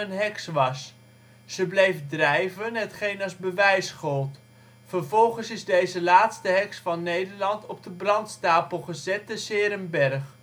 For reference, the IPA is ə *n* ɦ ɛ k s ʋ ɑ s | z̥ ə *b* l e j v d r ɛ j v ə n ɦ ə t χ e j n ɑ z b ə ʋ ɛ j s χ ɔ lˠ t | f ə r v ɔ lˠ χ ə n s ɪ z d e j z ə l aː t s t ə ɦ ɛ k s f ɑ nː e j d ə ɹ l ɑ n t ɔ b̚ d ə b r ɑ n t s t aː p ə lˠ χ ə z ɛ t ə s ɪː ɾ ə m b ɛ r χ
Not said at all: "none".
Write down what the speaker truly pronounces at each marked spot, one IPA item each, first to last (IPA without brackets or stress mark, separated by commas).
n, b